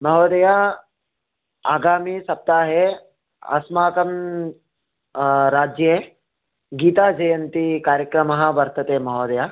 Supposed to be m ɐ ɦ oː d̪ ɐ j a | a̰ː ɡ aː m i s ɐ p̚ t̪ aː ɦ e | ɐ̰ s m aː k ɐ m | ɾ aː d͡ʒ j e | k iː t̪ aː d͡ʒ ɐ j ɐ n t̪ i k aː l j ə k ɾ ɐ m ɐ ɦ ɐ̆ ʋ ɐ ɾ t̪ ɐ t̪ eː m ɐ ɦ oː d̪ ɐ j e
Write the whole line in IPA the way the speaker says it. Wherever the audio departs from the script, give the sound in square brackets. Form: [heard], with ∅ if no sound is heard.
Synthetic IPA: m ɐ ɦ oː d̪ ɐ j a | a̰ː ɡ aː m i s ɐ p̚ t̪ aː ɦ e | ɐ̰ s m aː k ɐ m | ɾ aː d͡ʒ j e | [ɡ] iː t̪ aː d͡ʒ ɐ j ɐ n t̪ i k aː [ɾ] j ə k ɾ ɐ m ɐ ɦ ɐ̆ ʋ ɐ ɾ t̪ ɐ t̪ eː m ɐ ɦ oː d̪ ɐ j [a]